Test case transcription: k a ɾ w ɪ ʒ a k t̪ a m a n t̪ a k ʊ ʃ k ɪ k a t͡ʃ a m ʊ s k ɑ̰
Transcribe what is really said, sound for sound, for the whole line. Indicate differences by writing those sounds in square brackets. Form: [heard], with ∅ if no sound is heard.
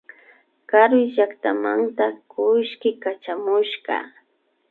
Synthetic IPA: k a ɾ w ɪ ʒ a k t̪ a m a n t̪ a k ʊ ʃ k ɪ k a t͡ʃ a m ʊ [ʃ] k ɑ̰